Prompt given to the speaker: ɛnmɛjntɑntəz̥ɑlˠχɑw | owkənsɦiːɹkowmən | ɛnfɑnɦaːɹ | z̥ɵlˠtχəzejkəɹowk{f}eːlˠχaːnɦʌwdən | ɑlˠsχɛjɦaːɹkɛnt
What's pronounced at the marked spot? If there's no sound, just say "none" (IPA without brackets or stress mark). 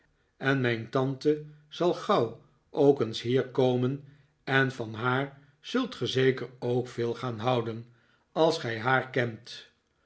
f